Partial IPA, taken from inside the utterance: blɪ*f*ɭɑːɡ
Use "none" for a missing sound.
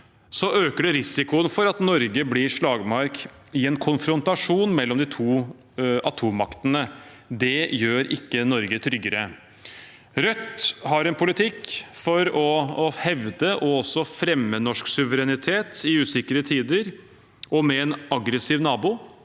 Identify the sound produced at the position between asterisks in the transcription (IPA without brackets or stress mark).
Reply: ʂ